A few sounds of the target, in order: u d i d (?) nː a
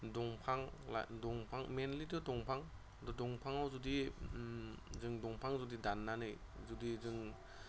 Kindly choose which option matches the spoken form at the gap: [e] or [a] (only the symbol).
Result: a